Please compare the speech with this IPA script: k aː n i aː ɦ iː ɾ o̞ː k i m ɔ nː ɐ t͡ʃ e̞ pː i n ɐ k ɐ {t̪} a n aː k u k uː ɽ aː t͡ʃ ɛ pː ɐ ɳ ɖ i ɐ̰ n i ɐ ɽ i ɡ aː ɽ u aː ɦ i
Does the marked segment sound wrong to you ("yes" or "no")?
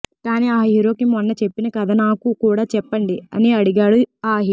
yes